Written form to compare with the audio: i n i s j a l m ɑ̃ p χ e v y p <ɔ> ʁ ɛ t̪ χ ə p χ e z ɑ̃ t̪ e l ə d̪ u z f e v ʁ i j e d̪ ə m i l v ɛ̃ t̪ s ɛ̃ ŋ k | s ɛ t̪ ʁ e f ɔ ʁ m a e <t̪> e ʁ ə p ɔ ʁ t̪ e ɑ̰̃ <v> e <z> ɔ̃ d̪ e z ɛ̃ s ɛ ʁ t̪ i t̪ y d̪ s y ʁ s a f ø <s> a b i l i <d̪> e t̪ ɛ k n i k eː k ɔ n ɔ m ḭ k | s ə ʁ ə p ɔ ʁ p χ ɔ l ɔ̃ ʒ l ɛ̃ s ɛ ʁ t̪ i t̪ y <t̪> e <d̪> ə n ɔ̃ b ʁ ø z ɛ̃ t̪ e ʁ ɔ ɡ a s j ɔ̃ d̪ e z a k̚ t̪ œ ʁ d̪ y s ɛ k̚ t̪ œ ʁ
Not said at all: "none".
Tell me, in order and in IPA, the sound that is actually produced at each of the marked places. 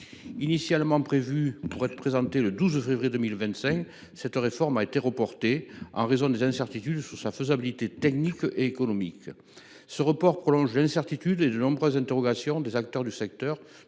u, t̪, ʁ, z, z, t̪, d̪, d̪

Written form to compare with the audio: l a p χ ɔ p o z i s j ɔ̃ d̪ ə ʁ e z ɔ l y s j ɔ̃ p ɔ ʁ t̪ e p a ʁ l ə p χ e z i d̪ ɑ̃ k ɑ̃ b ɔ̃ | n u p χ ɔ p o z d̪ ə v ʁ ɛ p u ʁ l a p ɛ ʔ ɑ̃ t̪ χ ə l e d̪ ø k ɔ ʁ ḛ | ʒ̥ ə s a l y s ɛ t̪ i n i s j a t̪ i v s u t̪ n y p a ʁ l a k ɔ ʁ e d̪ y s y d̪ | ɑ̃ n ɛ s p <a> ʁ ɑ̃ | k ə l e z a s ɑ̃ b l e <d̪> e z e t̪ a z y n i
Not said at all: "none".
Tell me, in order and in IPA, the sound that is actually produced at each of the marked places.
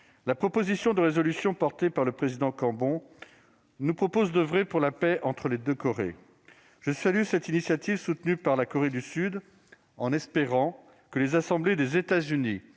e, d̪

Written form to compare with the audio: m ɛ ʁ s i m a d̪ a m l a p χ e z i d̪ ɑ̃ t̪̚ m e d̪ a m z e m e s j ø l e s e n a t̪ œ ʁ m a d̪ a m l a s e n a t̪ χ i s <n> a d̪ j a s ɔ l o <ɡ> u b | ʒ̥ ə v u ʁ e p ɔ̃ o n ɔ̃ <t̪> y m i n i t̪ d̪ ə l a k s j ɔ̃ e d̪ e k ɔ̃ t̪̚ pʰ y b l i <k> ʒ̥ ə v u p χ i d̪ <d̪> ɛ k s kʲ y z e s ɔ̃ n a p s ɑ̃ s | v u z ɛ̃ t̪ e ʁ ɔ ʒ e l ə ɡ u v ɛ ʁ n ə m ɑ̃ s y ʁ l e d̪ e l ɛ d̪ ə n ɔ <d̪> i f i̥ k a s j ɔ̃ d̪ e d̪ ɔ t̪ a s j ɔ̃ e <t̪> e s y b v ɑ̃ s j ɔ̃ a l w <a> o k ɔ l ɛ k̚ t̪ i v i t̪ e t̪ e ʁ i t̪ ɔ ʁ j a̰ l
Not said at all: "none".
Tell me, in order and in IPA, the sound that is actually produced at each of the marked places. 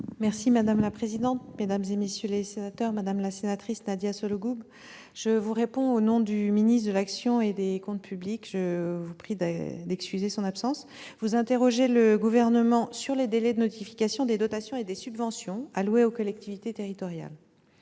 n, ɡ, d̪, k, d̪, t̪, d̪, e

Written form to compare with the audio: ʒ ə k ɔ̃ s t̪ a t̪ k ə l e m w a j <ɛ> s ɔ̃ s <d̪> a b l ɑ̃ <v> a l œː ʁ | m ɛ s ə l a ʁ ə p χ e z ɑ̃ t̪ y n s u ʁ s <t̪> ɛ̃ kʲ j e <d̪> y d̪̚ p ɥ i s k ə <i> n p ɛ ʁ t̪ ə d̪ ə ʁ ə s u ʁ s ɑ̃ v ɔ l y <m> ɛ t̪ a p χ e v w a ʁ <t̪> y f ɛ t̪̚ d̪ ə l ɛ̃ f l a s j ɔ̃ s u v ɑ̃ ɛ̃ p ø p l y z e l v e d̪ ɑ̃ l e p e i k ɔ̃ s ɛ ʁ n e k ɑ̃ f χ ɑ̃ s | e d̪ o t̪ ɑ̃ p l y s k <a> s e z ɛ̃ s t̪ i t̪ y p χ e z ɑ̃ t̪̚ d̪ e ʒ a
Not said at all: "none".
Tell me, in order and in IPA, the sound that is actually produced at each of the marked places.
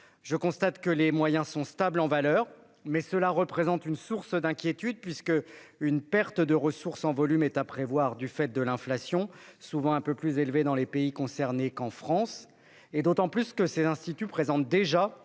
ɛ̃, t̪, v, d̪, t̪, y, m, d̪, ə

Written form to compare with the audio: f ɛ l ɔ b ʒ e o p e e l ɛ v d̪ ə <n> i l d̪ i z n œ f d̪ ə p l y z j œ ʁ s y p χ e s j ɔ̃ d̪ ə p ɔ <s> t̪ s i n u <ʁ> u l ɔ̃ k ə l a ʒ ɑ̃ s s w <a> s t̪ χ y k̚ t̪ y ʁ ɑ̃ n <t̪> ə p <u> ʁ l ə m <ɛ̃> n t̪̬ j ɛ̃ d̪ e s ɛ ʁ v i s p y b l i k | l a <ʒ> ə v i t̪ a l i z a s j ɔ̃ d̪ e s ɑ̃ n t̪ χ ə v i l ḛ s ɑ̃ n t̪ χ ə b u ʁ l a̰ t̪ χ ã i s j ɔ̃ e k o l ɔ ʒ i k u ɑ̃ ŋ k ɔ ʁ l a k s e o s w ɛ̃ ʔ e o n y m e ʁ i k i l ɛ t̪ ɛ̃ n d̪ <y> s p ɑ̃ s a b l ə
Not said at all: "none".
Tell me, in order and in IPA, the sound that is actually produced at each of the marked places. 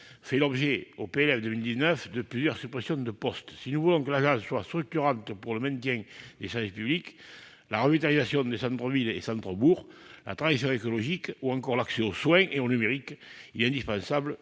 m, s, v, a, t̪, u, ɛ̃, ʁ, i

